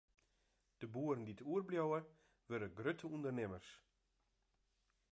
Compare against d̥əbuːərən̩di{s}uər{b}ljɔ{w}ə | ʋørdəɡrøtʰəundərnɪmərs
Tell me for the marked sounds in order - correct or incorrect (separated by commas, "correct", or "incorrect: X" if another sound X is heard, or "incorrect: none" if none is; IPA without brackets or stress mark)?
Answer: incorrect: t, correct, correct